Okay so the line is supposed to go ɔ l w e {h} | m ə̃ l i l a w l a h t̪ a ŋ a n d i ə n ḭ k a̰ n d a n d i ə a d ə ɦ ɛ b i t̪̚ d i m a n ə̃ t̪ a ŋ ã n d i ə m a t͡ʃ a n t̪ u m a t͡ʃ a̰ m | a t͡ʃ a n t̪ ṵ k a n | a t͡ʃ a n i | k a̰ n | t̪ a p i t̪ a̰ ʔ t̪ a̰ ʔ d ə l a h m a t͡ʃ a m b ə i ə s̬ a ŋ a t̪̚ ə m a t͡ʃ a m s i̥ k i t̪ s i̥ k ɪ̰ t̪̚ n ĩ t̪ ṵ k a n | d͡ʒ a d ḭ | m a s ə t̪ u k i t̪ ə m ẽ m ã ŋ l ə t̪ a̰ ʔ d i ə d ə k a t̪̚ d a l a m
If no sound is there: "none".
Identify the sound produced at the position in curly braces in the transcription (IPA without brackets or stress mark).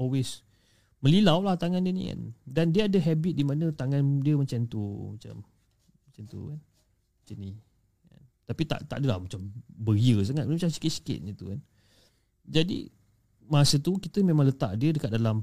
s